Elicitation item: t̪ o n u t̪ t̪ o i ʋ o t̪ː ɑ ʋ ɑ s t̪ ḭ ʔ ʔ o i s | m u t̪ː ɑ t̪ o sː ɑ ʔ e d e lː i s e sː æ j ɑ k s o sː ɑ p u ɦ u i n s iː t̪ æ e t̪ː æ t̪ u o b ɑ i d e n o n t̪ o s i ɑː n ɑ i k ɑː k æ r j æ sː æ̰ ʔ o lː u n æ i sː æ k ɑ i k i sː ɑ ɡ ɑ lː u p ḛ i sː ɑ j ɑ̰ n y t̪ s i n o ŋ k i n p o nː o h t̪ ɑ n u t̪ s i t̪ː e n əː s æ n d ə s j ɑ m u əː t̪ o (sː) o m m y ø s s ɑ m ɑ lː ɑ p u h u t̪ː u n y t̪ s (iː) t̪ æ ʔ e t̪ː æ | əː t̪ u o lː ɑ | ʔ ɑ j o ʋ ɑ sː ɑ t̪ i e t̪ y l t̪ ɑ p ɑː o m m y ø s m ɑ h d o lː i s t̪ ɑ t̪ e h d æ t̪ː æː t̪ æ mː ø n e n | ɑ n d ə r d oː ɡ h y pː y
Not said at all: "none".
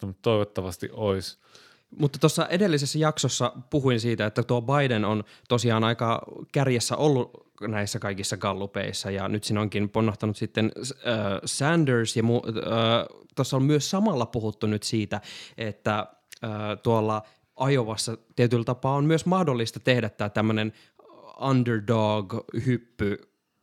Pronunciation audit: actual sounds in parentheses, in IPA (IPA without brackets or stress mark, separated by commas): sː, iː